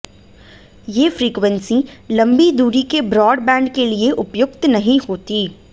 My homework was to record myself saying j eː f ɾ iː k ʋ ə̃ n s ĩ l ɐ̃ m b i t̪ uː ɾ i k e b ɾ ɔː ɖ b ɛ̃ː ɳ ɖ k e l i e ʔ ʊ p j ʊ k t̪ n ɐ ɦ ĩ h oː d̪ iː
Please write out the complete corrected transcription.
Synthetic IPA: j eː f ɾ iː k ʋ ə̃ n s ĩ l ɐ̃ m b i d̪ uː ɾ i k e b ɾ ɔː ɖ b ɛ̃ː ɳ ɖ k e l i e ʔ ʊ p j ʊ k t̪ n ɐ ɦ ĩ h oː t̪ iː